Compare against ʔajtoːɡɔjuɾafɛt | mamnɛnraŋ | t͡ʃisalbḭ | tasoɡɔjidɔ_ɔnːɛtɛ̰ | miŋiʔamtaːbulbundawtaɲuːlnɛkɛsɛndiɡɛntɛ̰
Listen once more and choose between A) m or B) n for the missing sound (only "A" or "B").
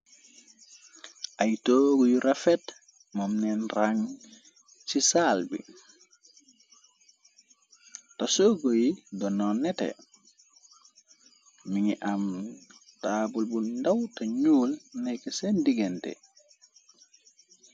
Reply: B